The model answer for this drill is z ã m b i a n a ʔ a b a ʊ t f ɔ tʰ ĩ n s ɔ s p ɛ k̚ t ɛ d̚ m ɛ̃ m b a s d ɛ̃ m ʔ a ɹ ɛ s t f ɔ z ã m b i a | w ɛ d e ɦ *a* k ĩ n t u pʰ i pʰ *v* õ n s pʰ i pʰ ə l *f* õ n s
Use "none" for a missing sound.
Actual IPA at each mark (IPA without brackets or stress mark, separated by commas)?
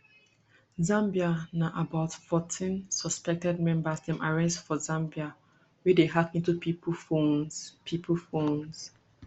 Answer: a, f, f